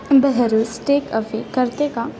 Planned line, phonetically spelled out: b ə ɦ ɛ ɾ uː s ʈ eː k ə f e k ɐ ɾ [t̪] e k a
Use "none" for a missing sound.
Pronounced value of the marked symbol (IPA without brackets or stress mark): t̪